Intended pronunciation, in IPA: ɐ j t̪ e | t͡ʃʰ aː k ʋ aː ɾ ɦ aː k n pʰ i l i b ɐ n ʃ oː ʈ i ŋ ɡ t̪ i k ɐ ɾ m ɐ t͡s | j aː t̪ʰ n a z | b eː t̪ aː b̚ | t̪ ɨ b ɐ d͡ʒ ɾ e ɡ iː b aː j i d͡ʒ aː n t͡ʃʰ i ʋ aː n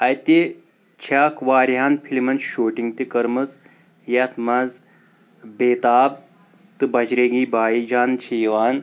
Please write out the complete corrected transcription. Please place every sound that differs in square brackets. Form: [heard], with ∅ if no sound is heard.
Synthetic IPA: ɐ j t̪ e | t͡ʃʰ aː k ʋ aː ɾ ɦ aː [∅] n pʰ i l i [m] ɐ n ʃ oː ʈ i ŋ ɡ t̪ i k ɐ ɾ m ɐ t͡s | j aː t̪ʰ [m] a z | b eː t̪ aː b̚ | t̪ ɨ b ɐ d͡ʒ ɾ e ɡ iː b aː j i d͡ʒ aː n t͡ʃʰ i ʋ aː n